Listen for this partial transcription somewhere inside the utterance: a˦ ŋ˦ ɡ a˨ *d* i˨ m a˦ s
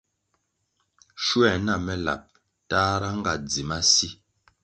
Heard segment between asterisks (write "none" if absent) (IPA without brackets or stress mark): d͡z